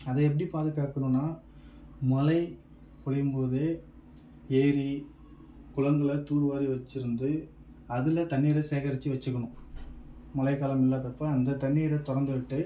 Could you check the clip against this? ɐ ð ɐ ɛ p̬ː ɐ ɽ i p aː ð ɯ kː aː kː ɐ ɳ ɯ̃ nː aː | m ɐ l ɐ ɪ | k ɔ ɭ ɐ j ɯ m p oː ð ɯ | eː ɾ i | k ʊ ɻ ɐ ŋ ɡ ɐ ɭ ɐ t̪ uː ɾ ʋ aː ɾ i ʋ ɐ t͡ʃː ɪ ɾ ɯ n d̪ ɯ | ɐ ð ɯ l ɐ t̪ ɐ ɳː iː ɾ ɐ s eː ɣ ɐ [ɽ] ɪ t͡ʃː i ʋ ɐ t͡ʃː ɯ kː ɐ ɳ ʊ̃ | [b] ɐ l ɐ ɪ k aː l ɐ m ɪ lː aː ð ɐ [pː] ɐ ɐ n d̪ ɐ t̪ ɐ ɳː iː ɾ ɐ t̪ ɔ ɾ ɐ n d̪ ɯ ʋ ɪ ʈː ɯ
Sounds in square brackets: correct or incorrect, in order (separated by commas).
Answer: incorrect, incorrect, correct